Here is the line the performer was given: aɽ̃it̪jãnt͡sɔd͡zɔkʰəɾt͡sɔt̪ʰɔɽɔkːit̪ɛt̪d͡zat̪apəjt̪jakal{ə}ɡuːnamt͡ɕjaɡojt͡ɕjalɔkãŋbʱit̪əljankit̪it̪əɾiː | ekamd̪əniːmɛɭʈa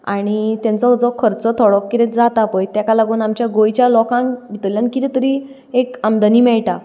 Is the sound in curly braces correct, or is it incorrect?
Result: incorrect